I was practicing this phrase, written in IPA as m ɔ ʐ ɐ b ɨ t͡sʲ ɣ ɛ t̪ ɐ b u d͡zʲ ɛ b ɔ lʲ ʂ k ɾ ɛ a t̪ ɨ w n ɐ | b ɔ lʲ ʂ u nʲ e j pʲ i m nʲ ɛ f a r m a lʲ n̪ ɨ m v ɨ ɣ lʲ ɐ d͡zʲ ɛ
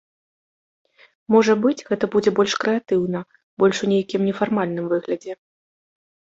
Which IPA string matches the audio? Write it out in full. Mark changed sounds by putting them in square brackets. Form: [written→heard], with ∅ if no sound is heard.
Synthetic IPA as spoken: m ɔ ʐ ɐ b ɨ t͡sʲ ɣ ɛ t̪ ɐ b u d͡zʲ ɛ b ɔ lʲ ʂ k ɾ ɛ a t̪ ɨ w n ɐ | b ɔ lʲ ʂ u nʲ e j [pʲ→kʲ] i m nʲ ɛ f a r m a lʲ n̪ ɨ m v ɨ ɣ lʲ ɐ d͡zʲ ɛ